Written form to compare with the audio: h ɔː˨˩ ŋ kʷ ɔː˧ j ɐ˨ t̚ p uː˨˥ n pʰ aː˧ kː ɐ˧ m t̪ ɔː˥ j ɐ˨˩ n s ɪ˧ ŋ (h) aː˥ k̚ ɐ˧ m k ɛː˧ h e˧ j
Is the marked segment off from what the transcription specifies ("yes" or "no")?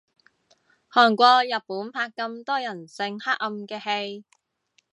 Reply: no